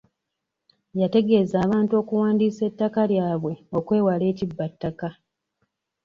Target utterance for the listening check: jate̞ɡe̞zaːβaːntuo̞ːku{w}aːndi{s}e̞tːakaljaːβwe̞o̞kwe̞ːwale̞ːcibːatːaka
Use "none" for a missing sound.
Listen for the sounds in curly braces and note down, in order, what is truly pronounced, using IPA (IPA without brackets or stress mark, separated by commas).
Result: w, s